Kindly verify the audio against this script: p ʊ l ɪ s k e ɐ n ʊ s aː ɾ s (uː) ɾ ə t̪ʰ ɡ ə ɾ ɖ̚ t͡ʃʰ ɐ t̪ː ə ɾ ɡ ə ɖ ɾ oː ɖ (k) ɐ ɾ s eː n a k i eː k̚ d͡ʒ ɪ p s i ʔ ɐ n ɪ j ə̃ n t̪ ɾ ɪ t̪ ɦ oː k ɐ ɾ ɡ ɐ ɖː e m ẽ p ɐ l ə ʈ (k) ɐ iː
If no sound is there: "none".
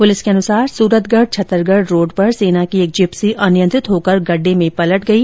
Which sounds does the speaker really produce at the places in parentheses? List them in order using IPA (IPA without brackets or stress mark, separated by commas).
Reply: uː, p, ɡ